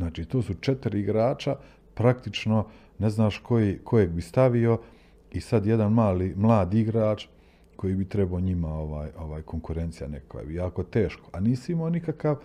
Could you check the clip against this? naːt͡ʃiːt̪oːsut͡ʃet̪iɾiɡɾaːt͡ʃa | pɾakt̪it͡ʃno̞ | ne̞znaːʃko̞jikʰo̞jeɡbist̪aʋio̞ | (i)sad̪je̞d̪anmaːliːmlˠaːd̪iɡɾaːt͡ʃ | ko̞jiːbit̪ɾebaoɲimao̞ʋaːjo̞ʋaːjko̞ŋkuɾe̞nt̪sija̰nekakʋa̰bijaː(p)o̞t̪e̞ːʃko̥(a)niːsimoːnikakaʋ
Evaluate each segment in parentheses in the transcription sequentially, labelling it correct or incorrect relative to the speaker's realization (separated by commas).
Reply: correct, incorrect, correct